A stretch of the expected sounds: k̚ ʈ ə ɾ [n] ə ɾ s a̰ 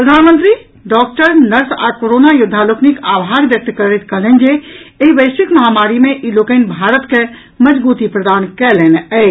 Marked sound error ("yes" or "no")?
no